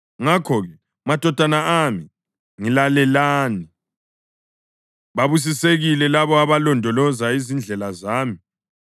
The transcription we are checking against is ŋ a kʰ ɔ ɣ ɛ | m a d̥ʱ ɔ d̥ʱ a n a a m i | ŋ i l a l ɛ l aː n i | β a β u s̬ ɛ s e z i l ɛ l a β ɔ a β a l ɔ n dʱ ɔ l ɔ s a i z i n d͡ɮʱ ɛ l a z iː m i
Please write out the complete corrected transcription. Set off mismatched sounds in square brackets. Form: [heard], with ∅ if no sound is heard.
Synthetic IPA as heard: ŋ a kʰ ɔ ɣ ɛ | m a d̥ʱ ɔ d̥ʱ a n a a m i | ŋ i l a l ɛ l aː n i | β a β u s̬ [i] s e [ɣ] i l ɛ l a β ɔ a β a l ɔ n dʱ ɔ l ɔ [z] a i z i n d͡ɮʱ ɛ l a z [aː] m i